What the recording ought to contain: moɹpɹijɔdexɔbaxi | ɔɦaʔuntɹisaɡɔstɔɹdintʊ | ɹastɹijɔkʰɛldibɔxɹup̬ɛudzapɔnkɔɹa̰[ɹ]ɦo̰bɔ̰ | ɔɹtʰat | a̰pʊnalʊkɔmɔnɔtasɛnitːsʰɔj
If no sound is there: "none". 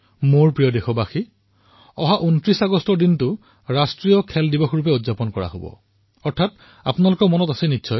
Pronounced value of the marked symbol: none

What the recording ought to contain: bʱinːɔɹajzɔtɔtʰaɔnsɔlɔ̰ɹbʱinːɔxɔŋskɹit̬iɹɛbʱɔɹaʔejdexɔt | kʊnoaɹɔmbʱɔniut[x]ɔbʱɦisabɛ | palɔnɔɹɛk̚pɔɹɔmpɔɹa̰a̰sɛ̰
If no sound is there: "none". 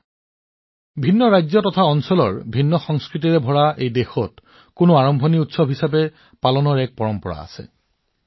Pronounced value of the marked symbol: s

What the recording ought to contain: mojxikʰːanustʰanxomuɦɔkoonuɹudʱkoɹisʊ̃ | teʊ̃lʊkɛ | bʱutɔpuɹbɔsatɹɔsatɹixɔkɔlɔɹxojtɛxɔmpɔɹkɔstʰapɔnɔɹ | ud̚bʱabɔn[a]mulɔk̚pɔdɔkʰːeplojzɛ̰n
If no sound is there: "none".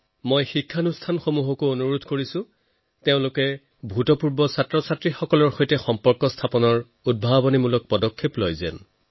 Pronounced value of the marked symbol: i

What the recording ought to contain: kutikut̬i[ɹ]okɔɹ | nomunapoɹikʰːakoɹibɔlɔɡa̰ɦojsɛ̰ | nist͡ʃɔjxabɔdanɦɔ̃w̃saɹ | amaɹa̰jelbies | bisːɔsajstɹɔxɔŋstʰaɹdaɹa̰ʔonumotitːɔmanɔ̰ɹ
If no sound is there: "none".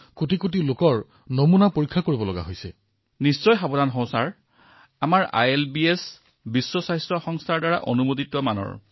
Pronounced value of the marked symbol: l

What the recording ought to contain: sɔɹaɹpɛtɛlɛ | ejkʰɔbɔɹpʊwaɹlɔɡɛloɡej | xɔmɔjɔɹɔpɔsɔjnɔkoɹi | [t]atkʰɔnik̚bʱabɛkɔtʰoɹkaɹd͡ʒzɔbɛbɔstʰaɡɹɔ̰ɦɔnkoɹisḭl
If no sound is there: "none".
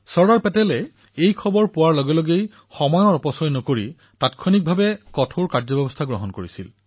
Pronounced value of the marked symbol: t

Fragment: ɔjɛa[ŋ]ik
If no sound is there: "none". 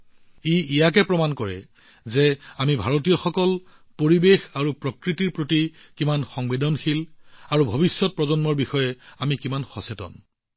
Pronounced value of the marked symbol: m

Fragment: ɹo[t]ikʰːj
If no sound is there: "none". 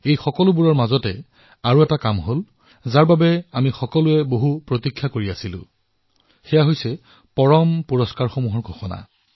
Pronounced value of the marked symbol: t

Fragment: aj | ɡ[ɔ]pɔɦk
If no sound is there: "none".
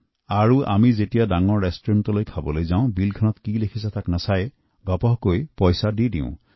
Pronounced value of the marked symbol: ɔ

